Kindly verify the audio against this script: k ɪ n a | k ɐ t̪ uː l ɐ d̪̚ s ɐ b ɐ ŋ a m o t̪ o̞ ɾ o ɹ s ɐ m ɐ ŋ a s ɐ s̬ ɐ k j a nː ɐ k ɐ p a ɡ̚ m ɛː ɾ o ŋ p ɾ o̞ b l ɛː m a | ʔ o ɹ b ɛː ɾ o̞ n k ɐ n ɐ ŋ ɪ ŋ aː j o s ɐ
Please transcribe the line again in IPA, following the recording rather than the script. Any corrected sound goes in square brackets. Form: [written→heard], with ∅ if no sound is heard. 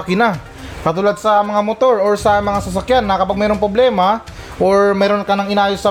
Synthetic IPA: k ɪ n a | k ɐ t̪ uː l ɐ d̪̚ s ɐ [b→m] ɐ ŋ a m o t̪ o̞ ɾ o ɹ s ɐ m ɐ ŋ a s ɐ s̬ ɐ k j a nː ɐ k ɐ p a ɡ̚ m ɛː ɾ o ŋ p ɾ o̞ b l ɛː m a | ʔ o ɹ [b→m] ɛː ɾ o̞ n k ɐ n ɐ ŋ ɪ [ŋ→n] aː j o s ɐ